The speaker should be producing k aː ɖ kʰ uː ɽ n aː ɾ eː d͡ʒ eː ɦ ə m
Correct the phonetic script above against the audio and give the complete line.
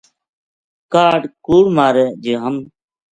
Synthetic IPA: k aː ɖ k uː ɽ m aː ɾ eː d͡ʒ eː ɦ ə m